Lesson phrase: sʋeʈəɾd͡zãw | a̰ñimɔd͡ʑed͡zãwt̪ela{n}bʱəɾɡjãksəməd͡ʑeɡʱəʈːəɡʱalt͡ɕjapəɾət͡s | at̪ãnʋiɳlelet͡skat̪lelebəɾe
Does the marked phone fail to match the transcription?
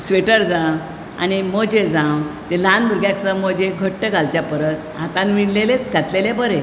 no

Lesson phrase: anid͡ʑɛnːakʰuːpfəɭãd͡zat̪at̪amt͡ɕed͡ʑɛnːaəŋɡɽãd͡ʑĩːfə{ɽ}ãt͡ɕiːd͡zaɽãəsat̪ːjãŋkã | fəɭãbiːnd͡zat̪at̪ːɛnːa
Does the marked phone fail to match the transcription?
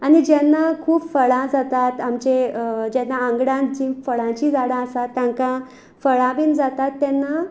yes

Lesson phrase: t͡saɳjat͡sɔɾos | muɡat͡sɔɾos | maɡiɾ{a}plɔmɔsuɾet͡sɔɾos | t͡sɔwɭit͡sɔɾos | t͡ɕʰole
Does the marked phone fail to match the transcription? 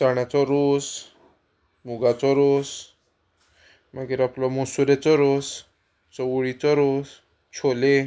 no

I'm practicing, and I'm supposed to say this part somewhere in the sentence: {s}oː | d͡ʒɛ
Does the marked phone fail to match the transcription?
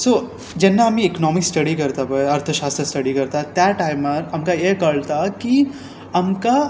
no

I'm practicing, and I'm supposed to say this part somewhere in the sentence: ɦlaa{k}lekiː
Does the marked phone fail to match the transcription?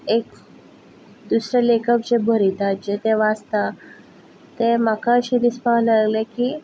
yes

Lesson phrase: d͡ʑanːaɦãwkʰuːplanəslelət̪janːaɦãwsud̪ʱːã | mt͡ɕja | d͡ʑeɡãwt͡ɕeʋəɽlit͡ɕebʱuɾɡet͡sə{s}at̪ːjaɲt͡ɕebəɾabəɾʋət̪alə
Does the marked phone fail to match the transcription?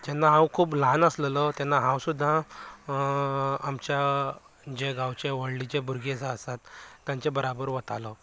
no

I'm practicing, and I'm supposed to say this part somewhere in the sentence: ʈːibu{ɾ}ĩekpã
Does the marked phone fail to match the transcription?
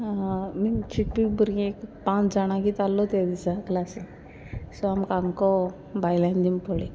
no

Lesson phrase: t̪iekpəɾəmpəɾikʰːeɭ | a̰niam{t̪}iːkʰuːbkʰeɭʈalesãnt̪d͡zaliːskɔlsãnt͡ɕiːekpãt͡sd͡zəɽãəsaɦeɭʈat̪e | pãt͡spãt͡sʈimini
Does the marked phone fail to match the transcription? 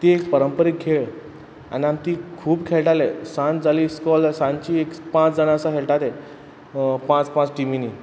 no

